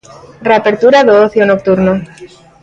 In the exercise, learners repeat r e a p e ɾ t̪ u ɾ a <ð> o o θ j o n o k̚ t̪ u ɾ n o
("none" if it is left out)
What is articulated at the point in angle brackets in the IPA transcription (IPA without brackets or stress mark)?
ð